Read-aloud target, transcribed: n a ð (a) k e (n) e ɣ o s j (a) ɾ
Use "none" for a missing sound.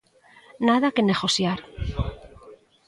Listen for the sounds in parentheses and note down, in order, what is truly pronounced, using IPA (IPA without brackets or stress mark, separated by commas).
a, n, a